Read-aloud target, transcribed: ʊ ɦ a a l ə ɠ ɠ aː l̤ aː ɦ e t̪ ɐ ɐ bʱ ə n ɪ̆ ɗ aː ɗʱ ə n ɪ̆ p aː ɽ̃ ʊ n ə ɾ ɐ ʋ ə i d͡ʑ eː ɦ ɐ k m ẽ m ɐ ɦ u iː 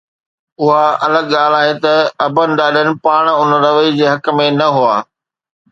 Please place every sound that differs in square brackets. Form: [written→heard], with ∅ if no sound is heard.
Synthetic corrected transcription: ʊ ɦ a [a→ɐ] l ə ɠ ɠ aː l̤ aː ɦ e t̪ ɐ ɐ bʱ ə n ɪ̆ ɗ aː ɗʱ ə n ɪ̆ p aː ɽ̃ ʊ n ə ɾ ɐ ʋ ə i d͡ʑ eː ɦ ɐ k m ẽ [m→n] ɐ ɦ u [iː→aː]